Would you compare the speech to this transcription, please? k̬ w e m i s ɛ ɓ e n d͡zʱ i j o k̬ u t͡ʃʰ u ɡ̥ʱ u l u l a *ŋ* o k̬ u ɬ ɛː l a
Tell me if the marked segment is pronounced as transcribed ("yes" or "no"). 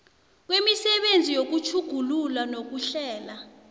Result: no